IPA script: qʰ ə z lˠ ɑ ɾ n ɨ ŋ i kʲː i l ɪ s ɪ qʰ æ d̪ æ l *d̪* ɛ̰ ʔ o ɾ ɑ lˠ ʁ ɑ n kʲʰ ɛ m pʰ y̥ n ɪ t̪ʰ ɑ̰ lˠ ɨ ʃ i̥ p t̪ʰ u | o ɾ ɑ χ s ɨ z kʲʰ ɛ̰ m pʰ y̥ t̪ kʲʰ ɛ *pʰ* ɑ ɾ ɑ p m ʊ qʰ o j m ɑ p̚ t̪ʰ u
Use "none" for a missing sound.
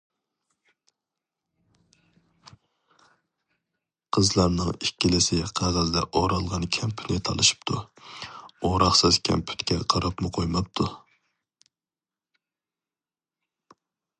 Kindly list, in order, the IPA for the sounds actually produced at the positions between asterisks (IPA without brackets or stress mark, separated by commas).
d̪, qʰ